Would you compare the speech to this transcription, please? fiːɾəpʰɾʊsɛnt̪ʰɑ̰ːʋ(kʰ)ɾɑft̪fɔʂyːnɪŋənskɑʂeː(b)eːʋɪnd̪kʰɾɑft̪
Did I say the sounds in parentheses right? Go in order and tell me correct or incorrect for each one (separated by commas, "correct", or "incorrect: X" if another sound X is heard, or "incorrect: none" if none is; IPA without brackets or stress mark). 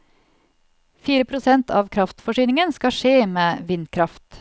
correct, incorrect: m